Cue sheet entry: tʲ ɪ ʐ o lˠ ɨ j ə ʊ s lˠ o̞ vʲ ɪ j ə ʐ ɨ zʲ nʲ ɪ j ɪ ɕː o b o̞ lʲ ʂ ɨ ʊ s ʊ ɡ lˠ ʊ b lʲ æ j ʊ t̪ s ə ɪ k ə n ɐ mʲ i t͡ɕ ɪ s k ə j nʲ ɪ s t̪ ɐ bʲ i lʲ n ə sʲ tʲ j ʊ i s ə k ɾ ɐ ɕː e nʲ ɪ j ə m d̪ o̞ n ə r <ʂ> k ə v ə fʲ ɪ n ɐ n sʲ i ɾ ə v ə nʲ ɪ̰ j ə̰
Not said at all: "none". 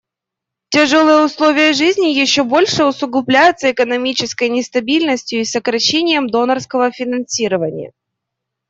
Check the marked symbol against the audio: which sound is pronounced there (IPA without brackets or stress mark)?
s